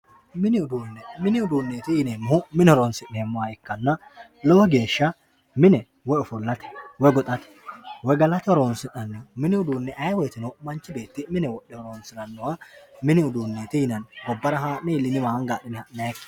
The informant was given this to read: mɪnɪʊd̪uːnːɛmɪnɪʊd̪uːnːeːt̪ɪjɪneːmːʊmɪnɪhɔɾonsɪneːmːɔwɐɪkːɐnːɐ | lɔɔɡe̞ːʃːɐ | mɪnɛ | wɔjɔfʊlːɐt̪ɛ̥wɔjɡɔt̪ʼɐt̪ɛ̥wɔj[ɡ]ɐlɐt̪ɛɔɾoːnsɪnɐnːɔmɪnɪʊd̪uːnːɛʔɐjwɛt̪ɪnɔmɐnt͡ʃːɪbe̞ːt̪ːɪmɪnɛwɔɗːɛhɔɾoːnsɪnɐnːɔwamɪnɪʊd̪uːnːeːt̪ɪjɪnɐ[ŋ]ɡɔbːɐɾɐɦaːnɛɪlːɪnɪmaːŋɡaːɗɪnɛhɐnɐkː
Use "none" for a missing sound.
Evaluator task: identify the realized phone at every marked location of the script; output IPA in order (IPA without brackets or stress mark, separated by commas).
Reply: ɡ, n